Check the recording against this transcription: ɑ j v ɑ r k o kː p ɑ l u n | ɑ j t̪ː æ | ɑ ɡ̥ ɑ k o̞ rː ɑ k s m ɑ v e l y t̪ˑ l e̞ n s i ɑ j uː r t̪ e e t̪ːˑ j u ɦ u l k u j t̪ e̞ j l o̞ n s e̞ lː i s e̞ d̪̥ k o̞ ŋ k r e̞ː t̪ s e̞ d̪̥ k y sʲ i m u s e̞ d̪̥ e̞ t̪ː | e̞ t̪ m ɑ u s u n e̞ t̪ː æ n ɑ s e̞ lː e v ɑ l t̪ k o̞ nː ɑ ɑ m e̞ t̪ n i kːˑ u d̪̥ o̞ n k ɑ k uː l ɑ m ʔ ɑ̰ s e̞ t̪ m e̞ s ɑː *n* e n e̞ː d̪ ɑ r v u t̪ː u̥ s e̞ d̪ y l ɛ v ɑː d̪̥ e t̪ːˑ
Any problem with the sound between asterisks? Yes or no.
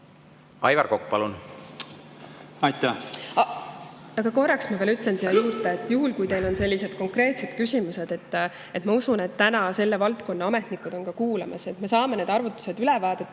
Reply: yes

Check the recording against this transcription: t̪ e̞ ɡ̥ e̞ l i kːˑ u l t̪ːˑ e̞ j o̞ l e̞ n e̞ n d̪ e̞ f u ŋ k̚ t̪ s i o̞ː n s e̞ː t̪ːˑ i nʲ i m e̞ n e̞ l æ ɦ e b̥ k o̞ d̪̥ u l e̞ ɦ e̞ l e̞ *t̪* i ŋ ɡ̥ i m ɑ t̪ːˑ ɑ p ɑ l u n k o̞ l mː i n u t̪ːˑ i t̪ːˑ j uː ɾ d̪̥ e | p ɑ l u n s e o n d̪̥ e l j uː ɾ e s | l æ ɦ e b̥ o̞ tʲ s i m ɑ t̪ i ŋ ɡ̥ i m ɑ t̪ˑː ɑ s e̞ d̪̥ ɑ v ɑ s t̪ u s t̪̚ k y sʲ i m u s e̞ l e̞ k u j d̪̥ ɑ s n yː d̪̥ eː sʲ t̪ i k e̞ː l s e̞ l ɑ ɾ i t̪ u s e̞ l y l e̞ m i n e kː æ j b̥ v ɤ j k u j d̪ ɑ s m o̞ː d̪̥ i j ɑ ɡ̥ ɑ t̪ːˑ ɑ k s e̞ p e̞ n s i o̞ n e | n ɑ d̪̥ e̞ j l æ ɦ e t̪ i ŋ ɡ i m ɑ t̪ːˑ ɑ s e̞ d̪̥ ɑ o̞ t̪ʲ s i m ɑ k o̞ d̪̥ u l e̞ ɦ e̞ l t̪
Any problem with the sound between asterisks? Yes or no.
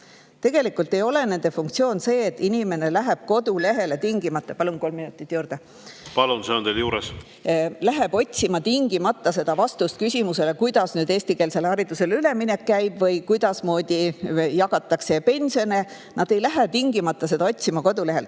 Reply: no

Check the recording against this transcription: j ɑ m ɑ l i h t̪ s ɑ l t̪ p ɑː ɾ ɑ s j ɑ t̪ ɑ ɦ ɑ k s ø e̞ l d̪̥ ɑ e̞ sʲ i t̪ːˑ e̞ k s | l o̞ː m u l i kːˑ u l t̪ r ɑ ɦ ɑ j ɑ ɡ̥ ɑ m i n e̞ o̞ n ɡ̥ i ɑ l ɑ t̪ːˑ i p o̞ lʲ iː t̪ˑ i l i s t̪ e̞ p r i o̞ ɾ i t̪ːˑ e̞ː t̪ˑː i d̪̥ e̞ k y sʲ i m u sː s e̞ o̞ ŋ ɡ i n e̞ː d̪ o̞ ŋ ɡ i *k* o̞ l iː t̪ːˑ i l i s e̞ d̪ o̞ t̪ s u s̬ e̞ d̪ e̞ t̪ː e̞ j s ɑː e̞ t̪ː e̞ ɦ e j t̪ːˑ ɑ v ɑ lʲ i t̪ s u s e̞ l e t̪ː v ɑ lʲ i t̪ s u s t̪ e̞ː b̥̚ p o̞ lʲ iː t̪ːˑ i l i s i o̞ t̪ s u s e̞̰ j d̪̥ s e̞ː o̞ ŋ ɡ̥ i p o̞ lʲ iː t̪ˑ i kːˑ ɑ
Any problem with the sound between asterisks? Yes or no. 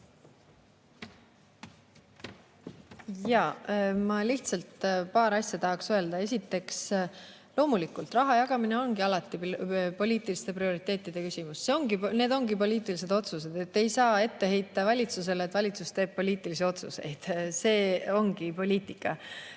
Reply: yes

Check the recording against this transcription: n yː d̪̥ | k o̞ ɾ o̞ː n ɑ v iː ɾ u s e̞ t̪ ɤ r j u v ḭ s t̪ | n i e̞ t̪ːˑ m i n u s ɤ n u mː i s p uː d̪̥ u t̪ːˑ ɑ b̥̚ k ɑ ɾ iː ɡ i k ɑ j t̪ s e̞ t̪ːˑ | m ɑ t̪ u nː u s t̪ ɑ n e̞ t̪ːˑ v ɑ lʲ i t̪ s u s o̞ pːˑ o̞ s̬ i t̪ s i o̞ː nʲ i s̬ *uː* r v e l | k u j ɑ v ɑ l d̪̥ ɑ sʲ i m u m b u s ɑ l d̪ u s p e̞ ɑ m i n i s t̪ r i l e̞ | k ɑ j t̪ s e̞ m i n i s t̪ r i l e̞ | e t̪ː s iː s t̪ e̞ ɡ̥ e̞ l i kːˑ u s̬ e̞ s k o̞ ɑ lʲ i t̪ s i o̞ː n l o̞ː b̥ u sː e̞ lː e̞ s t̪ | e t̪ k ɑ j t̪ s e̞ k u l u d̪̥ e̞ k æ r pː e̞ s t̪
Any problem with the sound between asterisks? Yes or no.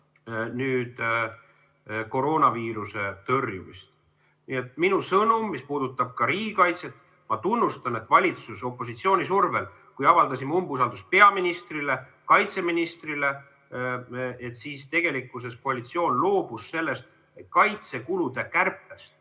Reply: yes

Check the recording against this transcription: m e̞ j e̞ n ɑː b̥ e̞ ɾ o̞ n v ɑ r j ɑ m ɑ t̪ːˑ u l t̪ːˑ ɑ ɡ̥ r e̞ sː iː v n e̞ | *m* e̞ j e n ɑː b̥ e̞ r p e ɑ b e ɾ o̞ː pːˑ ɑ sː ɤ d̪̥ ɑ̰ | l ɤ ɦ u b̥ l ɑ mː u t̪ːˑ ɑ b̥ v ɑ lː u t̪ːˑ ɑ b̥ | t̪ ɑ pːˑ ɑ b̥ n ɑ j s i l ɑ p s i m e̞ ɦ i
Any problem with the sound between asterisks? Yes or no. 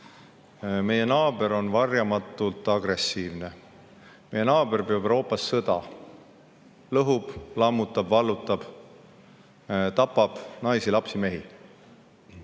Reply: no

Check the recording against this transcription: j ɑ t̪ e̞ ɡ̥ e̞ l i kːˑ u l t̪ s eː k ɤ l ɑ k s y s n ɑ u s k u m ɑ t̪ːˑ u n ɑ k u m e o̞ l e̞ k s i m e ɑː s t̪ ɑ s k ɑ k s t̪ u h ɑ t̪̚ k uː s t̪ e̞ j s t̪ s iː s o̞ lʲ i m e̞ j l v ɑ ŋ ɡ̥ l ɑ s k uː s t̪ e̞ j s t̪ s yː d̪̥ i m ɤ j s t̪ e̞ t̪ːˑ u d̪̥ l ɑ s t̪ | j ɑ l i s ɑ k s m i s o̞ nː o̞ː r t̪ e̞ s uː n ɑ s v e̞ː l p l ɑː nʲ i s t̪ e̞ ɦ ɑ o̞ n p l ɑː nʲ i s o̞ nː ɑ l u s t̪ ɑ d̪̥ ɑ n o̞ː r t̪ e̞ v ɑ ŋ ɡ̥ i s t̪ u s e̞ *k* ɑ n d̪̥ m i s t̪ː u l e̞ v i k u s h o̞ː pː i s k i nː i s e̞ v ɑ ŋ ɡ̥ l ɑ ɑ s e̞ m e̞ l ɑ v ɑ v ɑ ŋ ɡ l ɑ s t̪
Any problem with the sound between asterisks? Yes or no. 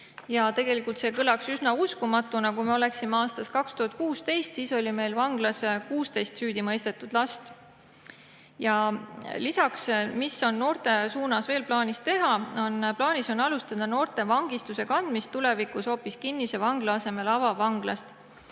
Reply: no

